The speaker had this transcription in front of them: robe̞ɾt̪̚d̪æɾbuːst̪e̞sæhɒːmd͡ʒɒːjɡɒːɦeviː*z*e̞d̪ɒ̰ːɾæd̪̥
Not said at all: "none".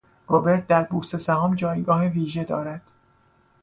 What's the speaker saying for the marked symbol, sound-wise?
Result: ʒ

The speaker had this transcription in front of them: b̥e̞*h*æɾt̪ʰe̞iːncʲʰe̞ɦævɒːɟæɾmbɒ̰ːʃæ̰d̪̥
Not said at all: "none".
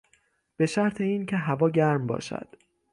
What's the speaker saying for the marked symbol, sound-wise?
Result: ʃ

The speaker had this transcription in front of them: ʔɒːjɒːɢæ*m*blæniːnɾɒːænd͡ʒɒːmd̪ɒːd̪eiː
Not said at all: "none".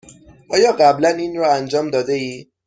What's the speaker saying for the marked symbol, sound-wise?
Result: none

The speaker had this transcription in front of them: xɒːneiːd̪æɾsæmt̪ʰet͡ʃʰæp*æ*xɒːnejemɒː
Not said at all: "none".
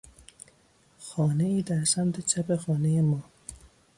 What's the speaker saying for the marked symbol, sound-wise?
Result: e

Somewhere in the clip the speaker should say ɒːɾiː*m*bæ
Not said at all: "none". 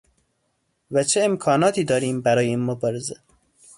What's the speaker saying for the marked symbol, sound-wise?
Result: m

